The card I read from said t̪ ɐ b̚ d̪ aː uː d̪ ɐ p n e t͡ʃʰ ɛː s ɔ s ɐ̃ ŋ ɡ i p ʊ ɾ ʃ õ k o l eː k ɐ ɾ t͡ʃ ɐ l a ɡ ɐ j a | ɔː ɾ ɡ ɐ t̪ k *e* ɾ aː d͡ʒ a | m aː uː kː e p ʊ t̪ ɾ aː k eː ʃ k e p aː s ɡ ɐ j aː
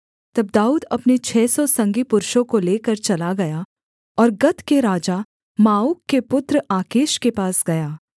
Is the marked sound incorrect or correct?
correct